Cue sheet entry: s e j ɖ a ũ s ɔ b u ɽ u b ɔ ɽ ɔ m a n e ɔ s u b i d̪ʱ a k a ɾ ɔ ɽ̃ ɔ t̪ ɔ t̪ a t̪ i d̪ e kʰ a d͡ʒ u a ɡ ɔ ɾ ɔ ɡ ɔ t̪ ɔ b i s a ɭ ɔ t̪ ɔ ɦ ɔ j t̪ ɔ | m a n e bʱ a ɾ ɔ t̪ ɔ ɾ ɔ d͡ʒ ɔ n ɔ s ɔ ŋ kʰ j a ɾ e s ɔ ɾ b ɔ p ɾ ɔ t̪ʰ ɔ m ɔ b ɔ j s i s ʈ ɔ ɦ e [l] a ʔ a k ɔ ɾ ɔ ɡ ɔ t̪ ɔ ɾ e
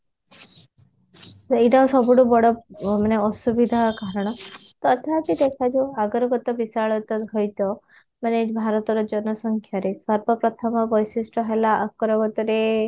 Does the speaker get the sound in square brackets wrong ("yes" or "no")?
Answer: no